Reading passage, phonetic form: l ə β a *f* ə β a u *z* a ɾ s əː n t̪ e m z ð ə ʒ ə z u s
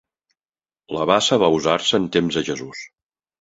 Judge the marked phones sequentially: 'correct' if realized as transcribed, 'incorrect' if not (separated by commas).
incorrect, correct